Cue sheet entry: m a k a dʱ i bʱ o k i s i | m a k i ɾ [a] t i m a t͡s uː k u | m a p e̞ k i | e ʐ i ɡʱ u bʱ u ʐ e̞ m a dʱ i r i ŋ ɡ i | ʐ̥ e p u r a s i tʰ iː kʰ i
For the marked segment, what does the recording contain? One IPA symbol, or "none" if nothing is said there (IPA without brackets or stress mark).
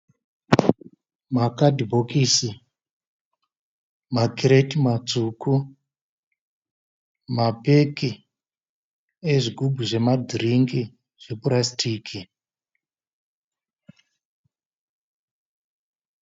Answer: e